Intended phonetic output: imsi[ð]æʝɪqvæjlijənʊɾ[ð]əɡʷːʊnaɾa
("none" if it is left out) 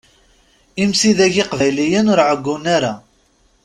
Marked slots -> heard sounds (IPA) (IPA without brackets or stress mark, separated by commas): ð, ʕ